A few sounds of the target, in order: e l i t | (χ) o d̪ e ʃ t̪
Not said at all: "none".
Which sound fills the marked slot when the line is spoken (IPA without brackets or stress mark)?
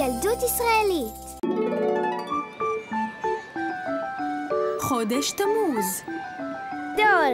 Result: χ